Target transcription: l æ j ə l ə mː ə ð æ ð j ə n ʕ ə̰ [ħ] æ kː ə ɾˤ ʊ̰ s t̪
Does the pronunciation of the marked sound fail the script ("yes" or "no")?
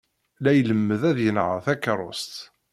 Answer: yes